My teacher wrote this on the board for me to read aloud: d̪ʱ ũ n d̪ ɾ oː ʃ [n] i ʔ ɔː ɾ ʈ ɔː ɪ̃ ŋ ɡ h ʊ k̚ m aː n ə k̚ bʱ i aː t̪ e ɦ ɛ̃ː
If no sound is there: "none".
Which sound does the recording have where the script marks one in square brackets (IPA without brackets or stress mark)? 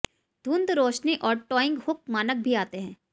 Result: n